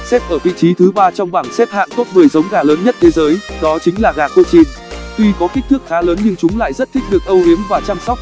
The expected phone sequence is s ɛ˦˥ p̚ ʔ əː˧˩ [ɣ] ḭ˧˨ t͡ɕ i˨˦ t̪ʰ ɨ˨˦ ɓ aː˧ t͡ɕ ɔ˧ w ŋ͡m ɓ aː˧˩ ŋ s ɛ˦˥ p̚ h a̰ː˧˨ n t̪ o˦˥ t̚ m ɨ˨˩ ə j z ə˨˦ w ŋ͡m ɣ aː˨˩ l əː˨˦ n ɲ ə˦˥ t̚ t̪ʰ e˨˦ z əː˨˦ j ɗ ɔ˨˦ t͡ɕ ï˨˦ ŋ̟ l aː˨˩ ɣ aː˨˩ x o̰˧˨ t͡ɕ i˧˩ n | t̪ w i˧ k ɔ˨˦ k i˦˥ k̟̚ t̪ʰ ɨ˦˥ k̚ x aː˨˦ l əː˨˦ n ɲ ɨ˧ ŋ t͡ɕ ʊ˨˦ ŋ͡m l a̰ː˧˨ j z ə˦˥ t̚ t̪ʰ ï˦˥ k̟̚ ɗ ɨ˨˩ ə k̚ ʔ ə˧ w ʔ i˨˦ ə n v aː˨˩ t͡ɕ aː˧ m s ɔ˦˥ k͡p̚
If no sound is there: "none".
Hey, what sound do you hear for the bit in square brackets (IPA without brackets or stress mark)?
v